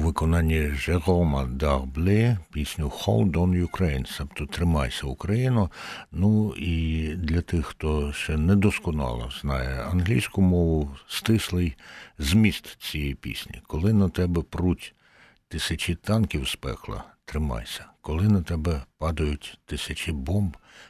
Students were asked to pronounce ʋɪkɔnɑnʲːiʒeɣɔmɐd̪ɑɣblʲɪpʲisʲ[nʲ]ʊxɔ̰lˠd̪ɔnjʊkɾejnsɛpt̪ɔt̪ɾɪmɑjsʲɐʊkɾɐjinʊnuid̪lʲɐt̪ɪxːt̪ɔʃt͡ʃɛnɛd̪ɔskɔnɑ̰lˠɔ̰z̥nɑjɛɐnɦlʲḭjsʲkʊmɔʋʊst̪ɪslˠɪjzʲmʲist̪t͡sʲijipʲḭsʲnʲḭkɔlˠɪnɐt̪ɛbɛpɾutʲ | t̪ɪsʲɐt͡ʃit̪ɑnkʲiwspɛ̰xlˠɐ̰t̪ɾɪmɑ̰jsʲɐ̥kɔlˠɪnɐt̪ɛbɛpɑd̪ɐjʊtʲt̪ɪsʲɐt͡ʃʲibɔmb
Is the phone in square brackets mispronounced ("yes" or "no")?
no